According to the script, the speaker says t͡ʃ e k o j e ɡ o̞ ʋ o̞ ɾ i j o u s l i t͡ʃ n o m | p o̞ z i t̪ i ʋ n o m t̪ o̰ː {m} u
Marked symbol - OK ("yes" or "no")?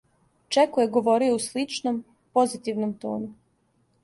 no